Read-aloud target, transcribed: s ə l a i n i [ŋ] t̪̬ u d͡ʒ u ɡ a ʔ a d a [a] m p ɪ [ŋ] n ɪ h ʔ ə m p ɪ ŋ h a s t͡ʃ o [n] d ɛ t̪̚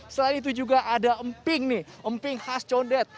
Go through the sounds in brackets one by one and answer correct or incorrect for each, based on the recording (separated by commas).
incorrect, incorrect, correct, correct